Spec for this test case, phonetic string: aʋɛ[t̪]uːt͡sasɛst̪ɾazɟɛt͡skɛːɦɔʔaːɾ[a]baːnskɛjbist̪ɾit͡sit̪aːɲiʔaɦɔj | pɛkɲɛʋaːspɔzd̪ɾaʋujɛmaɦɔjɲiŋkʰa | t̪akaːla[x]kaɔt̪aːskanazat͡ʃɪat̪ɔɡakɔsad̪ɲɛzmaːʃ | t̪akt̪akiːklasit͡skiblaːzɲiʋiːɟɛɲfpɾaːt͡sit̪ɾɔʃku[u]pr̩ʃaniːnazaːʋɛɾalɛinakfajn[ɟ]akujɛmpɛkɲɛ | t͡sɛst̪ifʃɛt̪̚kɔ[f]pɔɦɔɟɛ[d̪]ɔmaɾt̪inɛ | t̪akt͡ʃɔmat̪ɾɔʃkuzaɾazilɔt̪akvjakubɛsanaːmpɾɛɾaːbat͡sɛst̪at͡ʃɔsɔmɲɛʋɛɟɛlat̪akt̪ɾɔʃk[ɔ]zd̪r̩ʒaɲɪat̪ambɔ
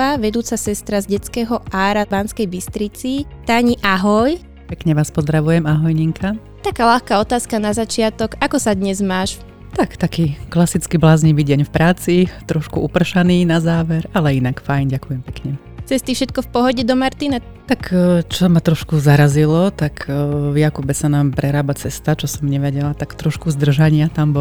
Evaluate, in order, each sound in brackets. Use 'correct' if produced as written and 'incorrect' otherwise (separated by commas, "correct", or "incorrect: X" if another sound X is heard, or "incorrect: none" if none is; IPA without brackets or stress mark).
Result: incorrect: d̪, correct, correct, correct, correct, correct, correct, incorrect: u